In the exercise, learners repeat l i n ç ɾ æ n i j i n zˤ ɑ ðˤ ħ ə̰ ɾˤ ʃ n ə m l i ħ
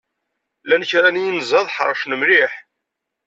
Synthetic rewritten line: l æ n ç ɾ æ n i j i n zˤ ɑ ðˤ ħ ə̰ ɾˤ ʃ n ə m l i ħ